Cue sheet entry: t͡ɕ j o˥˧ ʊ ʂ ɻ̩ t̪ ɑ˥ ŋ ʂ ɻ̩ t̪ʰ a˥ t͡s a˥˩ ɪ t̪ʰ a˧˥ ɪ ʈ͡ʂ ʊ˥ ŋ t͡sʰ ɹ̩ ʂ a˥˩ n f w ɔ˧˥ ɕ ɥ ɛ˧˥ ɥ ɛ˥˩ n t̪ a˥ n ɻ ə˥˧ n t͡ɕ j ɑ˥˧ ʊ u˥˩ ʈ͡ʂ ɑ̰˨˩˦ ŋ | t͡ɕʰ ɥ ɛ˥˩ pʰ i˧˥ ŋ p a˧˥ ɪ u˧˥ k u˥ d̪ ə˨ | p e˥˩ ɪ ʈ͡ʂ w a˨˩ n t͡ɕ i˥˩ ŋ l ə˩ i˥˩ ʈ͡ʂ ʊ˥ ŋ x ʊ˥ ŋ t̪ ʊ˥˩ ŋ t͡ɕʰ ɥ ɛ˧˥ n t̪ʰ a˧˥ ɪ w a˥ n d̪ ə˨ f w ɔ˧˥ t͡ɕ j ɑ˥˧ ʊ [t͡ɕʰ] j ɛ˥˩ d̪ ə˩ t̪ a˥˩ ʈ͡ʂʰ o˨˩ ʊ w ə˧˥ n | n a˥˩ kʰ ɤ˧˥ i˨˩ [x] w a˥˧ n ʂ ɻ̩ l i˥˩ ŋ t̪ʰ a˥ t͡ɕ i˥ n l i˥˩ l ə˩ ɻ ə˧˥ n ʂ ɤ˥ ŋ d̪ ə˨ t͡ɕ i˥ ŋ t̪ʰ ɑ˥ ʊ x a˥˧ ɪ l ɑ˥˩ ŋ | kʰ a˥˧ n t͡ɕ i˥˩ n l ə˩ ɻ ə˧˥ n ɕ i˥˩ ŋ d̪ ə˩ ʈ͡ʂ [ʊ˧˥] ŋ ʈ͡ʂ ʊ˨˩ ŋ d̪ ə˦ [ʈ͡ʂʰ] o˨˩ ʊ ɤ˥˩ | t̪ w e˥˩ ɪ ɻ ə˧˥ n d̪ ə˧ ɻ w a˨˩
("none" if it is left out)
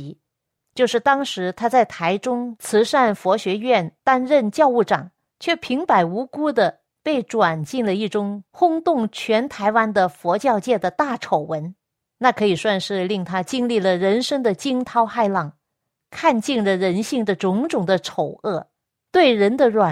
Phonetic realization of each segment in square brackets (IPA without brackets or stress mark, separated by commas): t͡ɕ, s, ʊ˧˥, ʈ͡ʂʰ